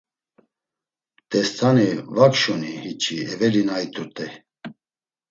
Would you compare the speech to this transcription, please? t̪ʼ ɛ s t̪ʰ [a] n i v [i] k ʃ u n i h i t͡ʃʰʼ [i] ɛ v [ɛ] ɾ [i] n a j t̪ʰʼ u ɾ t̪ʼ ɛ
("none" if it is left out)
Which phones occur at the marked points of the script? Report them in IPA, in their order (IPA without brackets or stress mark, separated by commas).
a, a, i, ɛ, i